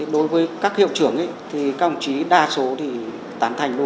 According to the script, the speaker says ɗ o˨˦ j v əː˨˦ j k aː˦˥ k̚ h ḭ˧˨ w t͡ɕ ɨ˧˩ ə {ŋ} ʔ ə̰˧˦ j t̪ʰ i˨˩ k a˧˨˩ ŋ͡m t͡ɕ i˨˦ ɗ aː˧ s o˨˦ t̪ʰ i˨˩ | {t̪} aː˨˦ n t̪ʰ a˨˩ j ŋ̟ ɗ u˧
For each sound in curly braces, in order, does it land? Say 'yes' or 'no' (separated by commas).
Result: yes, yes